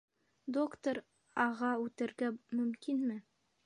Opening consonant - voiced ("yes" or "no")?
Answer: yes